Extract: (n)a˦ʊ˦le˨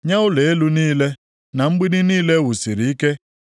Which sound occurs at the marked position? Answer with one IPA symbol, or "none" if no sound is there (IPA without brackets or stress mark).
ɲ